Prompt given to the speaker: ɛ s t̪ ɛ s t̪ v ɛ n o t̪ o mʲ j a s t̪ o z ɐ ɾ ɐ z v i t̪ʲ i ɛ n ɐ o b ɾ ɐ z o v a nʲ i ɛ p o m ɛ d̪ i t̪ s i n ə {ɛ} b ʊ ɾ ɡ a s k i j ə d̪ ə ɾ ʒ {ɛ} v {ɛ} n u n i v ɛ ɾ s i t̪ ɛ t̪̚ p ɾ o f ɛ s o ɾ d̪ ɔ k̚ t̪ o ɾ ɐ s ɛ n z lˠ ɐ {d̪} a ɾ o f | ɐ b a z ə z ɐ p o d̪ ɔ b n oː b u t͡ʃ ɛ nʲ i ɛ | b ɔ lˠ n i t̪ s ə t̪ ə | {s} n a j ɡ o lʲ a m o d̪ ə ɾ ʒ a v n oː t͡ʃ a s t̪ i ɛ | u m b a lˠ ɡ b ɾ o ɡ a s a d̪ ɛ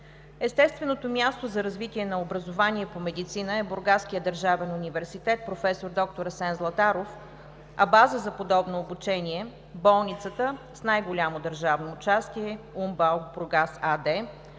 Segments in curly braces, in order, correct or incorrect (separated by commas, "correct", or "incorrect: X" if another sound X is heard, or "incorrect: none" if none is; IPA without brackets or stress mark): correct, incorrect: a, correct, incorrect: t̪, correct